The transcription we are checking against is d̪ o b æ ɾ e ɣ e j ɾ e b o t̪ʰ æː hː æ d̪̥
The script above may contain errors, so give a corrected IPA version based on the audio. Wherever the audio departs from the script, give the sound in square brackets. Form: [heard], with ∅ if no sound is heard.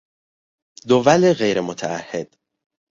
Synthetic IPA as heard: d̪ o [v] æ [l] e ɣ e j ɾ e [m] o t̪ʰ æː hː [e] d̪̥